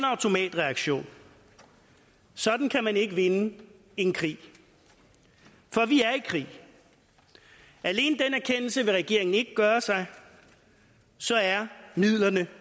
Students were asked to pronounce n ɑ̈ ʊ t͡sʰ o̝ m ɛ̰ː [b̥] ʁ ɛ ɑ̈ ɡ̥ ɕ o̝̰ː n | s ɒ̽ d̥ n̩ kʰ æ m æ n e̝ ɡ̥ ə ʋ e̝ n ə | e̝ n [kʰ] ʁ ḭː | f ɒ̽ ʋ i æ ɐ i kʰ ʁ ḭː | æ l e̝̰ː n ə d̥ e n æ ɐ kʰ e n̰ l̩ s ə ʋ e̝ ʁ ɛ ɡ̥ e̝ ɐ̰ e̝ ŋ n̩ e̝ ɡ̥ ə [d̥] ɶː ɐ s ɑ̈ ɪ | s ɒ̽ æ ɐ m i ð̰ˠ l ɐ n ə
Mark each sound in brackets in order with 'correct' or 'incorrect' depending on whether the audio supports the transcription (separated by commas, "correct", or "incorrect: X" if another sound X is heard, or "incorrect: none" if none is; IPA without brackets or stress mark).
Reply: incorrect: d̥, correct, incorrect: ɡ̥